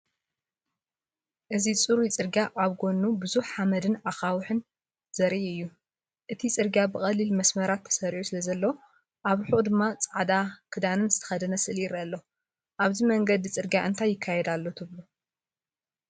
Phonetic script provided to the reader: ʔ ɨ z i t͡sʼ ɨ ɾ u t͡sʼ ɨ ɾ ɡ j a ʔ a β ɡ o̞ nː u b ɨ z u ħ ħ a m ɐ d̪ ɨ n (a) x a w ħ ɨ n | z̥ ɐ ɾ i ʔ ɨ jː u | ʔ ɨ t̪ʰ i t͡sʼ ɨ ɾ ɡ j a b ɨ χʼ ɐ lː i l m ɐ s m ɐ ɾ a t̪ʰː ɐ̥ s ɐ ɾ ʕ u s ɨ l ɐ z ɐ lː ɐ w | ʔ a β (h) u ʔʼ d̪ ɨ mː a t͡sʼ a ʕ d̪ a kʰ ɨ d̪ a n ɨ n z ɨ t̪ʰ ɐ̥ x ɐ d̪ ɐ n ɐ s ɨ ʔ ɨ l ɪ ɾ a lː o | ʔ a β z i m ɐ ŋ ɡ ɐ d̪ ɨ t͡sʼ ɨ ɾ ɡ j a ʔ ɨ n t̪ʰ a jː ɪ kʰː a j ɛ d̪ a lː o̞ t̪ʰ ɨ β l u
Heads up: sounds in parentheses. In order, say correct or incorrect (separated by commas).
correct, incorrect